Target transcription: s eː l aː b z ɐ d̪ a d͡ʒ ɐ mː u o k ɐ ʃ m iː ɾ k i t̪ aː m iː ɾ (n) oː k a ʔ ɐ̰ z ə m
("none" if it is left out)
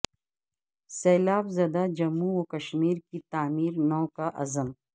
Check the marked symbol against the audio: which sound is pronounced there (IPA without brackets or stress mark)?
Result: n